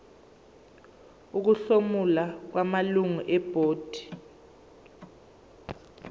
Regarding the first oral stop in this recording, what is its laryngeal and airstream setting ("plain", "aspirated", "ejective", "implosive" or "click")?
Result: plain